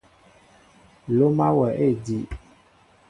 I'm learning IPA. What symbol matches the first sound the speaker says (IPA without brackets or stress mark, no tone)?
l